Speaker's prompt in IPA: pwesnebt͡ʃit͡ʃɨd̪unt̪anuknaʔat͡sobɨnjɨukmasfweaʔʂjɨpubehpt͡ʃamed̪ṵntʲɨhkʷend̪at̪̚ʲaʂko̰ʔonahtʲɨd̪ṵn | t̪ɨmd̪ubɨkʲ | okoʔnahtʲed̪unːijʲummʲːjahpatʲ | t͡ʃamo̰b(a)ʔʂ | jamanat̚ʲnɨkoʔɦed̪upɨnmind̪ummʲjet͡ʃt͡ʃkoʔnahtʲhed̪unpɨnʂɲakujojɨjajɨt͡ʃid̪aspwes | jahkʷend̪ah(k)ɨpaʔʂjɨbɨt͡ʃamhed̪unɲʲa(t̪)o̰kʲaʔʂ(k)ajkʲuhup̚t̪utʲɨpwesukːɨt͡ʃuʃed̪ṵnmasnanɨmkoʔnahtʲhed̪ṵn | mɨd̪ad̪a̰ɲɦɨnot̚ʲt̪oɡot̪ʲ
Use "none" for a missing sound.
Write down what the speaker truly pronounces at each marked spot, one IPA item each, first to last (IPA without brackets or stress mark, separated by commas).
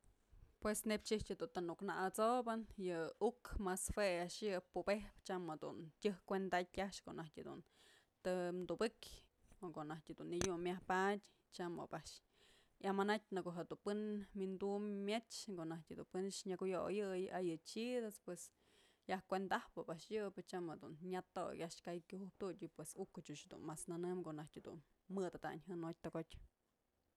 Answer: a, p, t̪, k